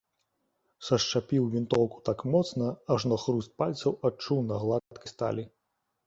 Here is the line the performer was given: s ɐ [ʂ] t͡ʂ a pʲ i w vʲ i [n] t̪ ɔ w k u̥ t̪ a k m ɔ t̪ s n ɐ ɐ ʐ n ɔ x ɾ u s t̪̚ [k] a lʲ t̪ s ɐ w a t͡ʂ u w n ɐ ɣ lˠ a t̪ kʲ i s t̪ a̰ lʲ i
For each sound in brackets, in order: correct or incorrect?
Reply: correct, correct, incorrect

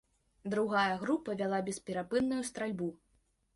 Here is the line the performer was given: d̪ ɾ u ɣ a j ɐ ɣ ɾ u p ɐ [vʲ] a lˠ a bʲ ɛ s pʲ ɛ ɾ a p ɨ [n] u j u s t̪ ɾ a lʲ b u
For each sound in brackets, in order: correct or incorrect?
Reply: correct, incorrect

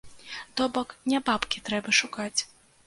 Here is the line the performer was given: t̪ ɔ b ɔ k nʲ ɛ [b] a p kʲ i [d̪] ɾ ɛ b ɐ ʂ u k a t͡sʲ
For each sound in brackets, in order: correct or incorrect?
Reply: correct, incorrect

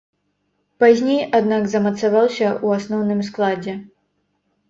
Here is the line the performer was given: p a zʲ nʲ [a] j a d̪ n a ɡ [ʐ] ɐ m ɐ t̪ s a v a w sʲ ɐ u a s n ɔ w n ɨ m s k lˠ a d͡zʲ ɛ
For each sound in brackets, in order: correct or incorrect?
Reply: incorrect, incorrect

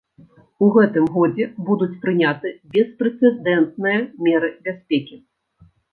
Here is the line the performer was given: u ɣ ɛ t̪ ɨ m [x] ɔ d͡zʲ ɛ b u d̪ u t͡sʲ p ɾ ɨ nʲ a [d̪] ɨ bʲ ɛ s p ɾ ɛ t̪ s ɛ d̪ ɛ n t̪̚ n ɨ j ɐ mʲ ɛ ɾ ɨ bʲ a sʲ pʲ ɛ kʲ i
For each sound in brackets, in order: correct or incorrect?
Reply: incorrect, incorrect

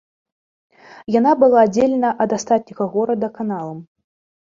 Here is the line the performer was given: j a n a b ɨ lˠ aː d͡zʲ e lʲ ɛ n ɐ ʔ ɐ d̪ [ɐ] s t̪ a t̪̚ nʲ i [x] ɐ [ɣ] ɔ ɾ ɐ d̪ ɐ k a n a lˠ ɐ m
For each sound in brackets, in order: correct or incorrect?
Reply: incorrect, incorrect, correct

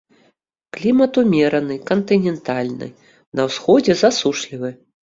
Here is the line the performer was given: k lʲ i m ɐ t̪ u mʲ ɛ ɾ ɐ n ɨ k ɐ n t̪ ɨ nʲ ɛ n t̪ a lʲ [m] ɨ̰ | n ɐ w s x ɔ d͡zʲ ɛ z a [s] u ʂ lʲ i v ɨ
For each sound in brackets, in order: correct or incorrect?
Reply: incorrect, correct

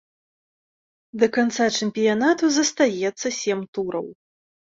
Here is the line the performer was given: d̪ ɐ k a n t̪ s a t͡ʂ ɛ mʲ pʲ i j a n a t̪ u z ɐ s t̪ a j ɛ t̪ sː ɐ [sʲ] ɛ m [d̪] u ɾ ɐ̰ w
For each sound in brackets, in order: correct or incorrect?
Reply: correct, incorrect

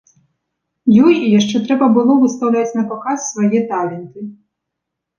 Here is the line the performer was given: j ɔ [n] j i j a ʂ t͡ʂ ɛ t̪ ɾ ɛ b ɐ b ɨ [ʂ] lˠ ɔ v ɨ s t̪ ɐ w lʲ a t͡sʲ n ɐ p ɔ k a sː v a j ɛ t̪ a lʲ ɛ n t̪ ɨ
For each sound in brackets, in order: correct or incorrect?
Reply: incorrect, incorrect

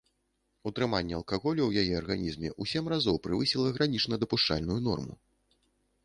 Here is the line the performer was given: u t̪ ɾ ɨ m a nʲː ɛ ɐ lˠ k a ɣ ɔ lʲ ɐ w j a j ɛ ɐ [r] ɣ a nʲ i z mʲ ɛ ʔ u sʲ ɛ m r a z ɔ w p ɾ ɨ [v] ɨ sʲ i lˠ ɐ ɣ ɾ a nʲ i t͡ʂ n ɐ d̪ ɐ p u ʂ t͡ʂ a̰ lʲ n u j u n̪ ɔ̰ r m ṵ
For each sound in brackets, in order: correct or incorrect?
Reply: correct, correct

